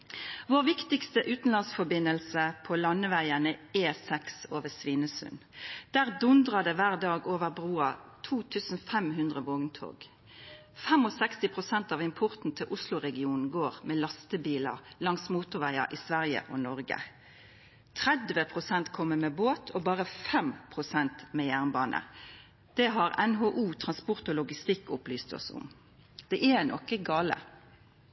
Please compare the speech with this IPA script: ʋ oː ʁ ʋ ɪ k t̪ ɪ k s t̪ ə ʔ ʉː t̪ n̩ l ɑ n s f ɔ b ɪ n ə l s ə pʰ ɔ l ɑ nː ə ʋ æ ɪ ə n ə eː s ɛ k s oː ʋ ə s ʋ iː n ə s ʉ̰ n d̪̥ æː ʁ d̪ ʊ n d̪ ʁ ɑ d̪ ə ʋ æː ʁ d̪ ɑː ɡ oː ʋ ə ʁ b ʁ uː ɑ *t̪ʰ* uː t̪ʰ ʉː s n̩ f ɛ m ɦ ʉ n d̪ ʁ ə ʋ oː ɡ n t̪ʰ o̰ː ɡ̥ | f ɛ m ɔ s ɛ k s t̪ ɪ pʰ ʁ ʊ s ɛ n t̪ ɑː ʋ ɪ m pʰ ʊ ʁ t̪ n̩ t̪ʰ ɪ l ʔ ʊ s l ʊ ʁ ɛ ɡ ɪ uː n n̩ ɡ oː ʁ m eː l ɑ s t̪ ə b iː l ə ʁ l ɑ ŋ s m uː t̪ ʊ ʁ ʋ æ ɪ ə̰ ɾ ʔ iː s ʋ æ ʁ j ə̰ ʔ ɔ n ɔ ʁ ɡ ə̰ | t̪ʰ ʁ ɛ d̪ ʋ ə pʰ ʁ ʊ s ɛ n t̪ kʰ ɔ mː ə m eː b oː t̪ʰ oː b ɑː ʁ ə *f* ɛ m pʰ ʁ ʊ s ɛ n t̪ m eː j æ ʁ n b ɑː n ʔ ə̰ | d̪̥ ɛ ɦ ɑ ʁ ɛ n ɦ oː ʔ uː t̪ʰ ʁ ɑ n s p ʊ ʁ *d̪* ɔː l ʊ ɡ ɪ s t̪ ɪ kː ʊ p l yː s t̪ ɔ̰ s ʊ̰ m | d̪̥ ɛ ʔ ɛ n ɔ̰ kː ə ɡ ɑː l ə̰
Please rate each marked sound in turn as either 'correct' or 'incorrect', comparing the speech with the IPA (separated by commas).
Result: correct, correct, incorrect